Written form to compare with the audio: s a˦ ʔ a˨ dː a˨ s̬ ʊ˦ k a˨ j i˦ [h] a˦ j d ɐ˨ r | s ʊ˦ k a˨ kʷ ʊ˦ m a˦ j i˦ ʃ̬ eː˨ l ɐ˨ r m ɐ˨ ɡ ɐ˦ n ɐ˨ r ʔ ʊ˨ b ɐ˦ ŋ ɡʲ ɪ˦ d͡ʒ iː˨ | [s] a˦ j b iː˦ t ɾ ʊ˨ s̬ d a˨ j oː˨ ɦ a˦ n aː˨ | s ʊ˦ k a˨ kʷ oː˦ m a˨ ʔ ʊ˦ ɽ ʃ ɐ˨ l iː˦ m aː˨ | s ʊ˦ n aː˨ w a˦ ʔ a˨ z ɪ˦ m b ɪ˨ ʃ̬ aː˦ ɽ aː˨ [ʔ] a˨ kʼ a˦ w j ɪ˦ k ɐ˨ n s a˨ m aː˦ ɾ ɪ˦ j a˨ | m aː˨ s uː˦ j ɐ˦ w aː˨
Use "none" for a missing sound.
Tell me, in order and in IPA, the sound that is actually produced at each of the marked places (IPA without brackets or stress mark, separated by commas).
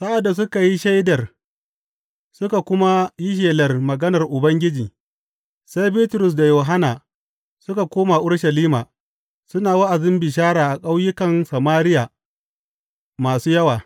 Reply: ʃ, s, ʔ